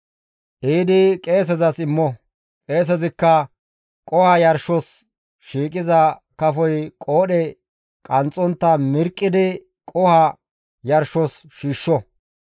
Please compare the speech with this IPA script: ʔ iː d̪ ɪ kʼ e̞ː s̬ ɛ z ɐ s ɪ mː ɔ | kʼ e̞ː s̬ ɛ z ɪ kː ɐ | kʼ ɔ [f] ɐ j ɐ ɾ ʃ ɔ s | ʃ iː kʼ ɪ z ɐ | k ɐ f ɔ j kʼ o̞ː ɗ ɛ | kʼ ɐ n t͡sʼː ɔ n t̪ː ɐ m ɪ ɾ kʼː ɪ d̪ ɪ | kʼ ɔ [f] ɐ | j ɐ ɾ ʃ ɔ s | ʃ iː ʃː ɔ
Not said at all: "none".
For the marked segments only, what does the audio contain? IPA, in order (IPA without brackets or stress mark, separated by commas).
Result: h, h